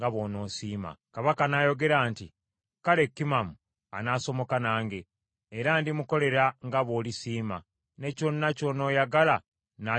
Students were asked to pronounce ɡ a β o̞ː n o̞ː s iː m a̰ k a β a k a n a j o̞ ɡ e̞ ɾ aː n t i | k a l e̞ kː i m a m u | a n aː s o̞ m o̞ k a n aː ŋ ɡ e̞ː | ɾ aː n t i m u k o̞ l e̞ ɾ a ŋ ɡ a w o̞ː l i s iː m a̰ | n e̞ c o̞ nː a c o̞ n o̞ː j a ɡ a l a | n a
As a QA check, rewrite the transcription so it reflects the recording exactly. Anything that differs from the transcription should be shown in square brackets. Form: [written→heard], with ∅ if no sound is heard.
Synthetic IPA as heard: ɡ a β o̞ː n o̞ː s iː m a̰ k a β a k a n a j o̞ ɡ e̞ ɾ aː n t i | k a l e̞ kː i m a m u | a n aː s o̞ m o̞ k a n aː ŋ ɡ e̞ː | ɾ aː n [t→d] i m u k o̞ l e̞ ɾ a ŋ ɡ a [w→β] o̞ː l i s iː m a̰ | n e̞ c o̞ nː a c o̞ n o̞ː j a ɡ a l a | n a